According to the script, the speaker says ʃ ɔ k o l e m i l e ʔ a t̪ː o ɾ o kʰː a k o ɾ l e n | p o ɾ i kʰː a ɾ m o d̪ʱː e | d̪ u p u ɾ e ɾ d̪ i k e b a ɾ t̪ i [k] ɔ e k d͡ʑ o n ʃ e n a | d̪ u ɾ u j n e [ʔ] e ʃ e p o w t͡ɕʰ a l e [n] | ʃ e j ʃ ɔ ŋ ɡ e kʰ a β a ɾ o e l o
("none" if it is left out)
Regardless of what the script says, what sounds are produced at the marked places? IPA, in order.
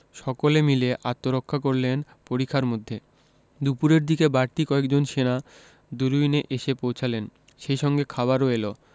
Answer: k, ʔ, n

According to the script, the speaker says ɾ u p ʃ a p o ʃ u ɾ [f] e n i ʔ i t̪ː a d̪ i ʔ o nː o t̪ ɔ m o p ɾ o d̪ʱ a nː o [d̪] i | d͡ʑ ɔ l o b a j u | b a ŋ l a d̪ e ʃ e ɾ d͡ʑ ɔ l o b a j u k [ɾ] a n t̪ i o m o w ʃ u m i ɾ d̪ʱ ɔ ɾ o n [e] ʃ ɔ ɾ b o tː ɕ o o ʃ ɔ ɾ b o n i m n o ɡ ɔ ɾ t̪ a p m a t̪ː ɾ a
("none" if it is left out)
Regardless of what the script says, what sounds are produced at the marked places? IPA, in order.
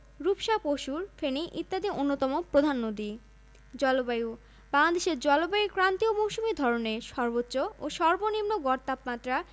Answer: f, d̪, ɾ, e

